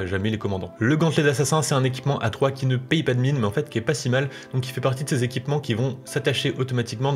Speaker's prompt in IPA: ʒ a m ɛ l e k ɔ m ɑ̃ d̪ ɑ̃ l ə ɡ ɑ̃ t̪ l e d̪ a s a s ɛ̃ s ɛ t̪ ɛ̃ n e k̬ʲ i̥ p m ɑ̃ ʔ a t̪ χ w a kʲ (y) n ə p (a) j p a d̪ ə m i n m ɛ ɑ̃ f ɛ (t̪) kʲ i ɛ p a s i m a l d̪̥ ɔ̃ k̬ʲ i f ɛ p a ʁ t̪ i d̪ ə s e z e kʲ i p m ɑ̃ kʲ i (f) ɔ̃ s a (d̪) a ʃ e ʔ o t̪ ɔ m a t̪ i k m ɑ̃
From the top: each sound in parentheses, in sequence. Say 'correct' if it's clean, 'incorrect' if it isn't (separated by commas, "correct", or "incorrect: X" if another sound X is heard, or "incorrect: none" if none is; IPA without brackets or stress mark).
incorrect: i, incorrect: ɛ, correct, incorrect: v, incorrect: t̪